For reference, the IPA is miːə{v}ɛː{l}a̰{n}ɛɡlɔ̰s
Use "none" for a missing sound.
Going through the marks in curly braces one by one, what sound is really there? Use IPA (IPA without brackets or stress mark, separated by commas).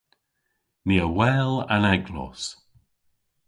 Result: w, l, n